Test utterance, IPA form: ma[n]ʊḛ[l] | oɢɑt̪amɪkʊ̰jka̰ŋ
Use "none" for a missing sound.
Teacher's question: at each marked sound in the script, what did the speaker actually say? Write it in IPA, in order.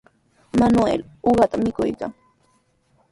n, l

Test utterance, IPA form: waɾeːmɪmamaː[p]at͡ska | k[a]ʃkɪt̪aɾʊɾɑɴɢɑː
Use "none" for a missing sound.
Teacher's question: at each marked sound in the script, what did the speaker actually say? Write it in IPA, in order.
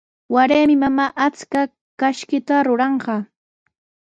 ʔ, a

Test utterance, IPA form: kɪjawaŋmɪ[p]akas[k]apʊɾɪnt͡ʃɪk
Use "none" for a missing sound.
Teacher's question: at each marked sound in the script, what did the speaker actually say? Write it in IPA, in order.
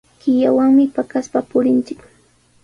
p, p

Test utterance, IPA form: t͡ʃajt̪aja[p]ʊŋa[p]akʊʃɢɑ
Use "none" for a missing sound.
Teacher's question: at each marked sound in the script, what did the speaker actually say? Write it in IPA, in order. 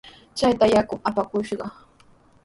k, p

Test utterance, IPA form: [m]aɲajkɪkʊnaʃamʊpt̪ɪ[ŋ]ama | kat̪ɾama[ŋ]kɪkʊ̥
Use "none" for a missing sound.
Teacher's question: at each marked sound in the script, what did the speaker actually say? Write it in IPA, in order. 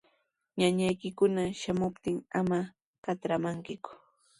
ɲ, ŋ, ŋ

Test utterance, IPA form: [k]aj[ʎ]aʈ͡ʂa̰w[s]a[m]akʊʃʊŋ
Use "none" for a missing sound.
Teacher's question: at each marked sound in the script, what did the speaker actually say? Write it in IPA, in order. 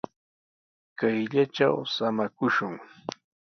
k, ʎ, s, m

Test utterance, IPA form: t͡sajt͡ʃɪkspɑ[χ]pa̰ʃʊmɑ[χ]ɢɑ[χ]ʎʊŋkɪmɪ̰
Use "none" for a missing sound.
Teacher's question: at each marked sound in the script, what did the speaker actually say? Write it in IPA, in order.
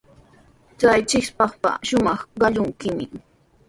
χ, χ, none

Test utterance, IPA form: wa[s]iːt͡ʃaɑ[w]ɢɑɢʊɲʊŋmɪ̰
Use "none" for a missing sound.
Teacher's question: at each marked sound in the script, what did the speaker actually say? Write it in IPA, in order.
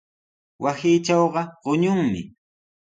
s, w

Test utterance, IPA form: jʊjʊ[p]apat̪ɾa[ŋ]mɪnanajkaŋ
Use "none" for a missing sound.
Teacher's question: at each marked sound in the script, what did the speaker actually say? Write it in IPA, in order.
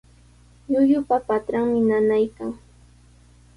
p, ŋ

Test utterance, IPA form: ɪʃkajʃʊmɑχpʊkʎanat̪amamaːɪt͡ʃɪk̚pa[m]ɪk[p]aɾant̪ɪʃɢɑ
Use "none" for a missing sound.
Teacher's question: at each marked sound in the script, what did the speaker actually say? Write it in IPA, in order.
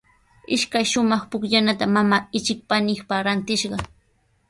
n, p

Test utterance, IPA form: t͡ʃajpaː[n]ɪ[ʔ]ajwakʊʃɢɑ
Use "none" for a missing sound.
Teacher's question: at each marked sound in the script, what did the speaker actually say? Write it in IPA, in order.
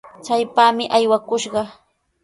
m, ʔ

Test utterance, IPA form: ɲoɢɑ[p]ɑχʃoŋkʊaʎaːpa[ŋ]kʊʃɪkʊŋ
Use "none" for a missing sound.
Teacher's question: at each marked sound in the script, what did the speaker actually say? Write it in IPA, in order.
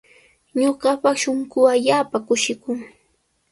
p, none

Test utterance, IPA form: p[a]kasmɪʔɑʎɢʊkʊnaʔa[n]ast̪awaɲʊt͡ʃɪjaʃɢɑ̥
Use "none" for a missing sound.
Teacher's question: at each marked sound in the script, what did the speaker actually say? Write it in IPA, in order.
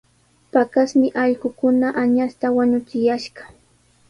a, ɲ

